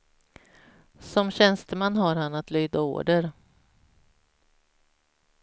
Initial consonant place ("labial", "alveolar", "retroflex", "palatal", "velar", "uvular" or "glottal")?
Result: alveolar